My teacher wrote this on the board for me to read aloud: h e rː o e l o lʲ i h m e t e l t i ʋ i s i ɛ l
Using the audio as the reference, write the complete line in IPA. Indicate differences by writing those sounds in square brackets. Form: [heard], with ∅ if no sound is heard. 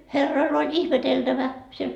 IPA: h e rː o [i] l o lʲ i h m e t e l t [æ] ʋ [æ] s i [e] l